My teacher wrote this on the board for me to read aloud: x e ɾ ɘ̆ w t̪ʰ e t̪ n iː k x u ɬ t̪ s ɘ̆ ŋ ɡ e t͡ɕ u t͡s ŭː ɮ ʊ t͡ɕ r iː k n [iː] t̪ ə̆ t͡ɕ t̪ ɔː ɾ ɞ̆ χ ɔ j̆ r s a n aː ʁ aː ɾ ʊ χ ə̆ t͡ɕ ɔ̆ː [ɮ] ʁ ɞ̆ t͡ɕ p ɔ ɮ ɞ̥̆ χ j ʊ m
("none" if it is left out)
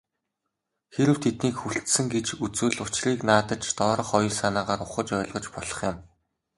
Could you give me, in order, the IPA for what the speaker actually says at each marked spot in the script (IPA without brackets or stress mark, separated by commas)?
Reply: aː, ɮ